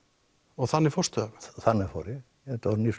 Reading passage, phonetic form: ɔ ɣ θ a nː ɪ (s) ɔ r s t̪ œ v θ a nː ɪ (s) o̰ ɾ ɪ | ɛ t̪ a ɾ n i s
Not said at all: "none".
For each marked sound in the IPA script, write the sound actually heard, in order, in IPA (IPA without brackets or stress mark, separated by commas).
f, f